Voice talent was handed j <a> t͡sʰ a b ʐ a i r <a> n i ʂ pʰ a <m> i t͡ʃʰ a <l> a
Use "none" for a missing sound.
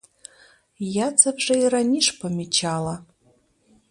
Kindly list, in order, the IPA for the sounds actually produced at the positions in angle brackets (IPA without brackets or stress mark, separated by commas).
a, a, m, l